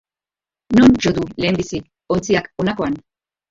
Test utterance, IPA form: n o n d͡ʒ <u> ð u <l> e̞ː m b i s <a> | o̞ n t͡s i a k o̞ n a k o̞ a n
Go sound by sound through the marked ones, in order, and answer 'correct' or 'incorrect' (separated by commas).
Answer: incorrect, correct, incorrect